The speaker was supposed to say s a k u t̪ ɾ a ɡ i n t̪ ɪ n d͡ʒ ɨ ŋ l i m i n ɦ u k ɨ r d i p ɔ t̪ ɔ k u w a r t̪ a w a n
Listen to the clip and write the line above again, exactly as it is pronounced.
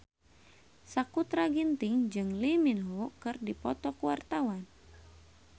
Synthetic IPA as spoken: s a k u t̪ ɾ a ɡ i n t̪ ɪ ŋ d͡ʒ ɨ ŋ l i m i n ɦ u k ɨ r d i p ɔ t̪ ɔ k u w a r t̪ a w a n

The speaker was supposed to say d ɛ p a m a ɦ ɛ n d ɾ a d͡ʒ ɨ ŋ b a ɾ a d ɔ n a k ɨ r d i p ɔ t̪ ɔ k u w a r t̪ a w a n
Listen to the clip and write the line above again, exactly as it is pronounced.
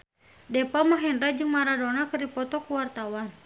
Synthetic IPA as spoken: d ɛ p a m a ɦ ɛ n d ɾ a d͡ʒ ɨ ŋ m a ɾ a d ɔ n a k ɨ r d i p ɔ t̪ ɔ k u w a r t̪ a w a n

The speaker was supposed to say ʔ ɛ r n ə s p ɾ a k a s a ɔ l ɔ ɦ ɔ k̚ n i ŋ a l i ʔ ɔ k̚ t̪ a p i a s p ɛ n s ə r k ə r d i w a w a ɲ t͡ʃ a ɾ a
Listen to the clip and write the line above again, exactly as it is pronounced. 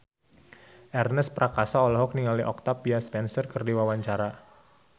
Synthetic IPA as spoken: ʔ ɛ r n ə s p ɾ a k a s a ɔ l ɔ ɦ ɔ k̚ n i ŋ a l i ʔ ɔ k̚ t̪ a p i a s p ɛ n s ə r k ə r d i w a w a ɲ t͡ʃ a ɾ a

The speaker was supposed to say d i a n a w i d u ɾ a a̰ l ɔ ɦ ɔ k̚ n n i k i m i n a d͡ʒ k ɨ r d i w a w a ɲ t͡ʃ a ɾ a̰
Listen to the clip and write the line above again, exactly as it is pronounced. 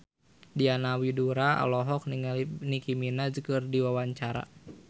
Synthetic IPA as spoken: d i a n a w i d u ɾ a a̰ l ɔ ɦ ɔ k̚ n n i k i m i n a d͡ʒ k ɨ r d i w a w a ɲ t͡ʃ a ɾ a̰

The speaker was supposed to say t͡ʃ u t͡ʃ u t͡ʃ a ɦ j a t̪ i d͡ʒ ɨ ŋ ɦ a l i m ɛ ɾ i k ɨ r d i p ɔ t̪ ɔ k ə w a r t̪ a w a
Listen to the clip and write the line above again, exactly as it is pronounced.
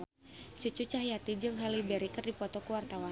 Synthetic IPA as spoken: t͡ʃ u t͡ʃ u t͡ʃ a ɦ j a t̪ i d͡ʒ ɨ ŋ ɦ a l i b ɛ ɾ i k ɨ r d i p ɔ t̪ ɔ k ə w a r t̪ a w a

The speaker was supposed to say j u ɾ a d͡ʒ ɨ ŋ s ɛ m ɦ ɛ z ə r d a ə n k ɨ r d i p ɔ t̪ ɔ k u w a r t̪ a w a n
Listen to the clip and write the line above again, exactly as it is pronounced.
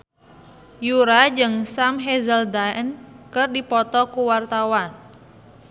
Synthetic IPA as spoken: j u ɾ a d͡ʒ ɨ ŋ s a m ɦ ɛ z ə l d a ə n k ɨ r d i p ɔ t̪ ɔ k u w a r t̪ a w a n

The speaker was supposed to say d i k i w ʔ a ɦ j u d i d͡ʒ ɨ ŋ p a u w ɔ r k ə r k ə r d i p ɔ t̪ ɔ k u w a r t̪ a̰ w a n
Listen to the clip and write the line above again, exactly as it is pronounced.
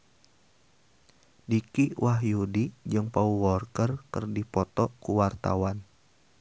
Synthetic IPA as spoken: d i k i w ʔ a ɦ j u d i d͡ʒ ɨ ŋ p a u w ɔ r k ə r k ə r d i p ɔ t̪ ɔ k u w a r t̪ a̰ w a n

